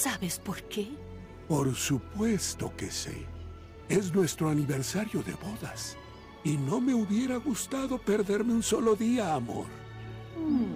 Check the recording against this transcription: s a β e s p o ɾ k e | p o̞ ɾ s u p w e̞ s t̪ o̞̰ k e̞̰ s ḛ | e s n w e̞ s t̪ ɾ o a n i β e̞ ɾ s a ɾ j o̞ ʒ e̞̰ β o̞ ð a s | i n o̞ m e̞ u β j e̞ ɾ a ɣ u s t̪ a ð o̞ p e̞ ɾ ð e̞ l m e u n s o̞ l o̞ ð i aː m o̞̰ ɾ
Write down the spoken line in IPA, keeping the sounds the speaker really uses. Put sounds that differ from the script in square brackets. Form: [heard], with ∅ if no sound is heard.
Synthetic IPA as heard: s a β e s p o ɾ k e | p o̞ ɾ s u p w e̞ s t̪ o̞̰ k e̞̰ s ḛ | e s n w e̞ s t̪ ɾ o a n i β e̞ ɾ s a ɾ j o̞ [ð] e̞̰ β o̞ ð a s | i n o̞ m e̞ u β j e̞ ɾ a ɣ u s t̪ a ð o̞ p e̞ ɾ ð e̞ [ɾ] m e u n s o̞ l o̞ ð i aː m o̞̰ ɾ

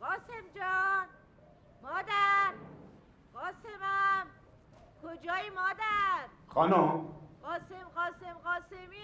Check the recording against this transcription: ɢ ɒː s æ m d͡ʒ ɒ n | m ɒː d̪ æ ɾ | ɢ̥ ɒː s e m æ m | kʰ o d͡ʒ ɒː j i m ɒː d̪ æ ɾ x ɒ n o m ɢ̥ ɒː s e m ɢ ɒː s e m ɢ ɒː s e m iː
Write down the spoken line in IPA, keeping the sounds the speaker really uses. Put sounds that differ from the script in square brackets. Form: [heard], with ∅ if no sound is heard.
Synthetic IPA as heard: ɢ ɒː s [e] m d͡ʒ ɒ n | m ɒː d̪ æ ɾ | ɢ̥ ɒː s e m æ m | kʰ o d͡ʒ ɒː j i m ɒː d̪ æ ɾ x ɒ n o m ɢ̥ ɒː s e m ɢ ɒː s e m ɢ ɒː s e m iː

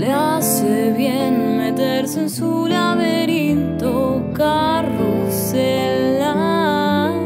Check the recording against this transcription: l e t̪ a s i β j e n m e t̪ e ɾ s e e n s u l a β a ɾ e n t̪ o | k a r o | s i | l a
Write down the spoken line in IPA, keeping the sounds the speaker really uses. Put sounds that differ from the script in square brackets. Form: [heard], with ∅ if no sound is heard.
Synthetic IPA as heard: l e [∅] a s [e] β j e n m e t̪ e ɾ s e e n s u l a β [e] ɾ [i] n t̪ o | k a r o | s [e] | l a

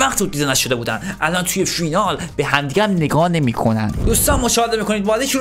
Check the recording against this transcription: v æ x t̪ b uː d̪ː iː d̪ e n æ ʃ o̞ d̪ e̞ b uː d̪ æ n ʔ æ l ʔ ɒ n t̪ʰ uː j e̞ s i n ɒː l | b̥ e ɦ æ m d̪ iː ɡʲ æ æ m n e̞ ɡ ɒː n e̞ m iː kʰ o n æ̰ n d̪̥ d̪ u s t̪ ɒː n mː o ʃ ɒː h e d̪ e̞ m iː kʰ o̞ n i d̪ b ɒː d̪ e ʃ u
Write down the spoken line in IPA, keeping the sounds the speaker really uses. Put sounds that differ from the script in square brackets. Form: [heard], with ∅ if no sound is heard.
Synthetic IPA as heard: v æ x t̪ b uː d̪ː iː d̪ e n æ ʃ o̞ d̪ e̞ b uː d̪ æ n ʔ æ l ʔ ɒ n t̪ʰ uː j e̞ [f] i n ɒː l | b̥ e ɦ æ m d̪ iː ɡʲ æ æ m n e̞ ɡ ɒː n e̞ m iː kʰ o n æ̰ n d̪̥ d̪ u s t̪ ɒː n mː o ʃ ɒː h e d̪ e̞ m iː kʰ o̞ n i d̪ b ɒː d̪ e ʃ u

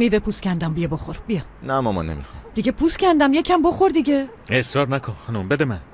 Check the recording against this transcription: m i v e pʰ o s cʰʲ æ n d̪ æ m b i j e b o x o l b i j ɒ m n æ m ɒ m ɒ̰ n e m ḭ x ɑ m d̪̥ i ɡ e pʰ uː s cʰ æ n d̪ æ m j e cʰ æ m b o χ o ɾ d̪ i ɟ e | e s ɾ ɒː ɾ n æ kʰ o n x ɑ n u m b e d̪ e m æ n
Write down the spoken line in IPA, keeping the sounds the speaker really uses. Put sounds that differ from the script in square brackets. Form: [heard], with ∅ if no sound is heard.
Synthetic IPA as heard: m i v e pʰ [u] s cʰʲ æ n d̪ æ m b i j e b o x o [ɾ] b i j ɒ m n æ m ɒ m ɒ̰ n e m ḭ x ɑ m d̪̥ i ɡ e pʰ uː s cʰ æ n d̪ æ m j e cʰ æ m b o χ o ɾ d̪ i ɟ e | e s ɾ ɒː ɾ n æ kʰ o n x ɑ n u m b e d̪ e m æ n

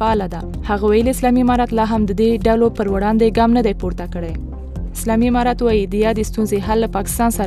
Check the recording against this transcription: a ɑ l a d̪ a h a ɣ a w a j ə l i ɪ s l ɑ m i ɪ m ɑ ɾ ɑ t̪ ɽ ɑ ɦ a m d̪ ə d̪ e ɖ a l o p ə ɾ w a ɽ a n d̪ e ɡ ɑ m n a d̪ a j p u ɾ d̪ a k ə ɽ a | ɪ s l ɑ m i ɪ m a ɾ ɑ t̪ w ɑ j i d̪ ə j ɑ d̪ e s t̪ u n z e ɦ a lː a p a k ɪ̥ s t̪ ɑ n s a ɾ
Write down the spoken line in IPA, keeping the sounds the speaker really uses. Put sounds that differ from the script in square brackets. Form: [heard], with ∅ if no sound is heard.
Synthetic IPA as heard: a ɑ l a d̪ a h a ɣ a w a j ə l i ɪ s l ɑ m i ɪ m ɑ ɾ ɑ t̪ [l] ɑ ɦ a m d̪ ə d̪ e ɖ a l o p ə ɾ w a ɽ [ɑ] n d̪ e ɡ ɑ m n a d̪ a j p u ɾ [t̪] a k ə ɽ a | ɪ s l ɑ m i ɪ m [ɑ] ɾ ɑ t̪ w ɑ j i d̪ ə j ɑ d̪ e s t̪ u n z e ɦ a lː a p [ɑ] k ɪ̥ s t̪ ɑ n s a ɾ

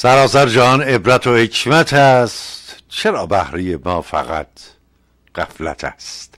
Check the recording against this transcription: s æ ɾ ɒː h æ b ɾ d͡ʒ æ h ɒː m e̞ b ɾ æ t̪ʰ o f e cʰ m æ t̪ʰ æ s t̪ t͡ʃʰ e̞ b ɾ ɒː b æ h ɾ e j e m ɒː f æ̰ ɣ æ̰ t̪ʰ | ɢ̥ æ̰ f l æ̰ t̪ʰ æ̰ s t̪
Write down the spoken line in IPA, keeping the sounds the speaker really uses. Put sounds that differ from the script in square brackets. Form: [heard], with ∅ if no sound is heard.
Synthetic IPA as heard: s æ ɾ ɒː [s] æ [∅] ɾ d͡ʒ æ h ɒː [n] e̞ b ɾ æ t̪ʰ o [h] e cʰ m æ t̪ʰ æ s t̪ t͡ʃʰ e̞ [∅] ɾ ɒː b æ h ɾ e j e m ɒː f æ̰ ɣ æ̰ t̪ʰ | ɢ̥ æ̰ f l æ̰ t̪ʰ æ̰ s t̪

